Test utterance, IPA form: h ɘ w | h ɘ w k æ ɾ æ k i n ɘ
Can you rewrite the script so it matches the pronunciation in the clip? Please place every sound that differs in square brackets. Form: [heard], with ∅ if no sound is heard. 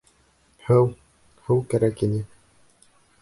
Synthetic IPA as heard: h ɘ w | h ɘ w k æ ɾ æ k i n ɘ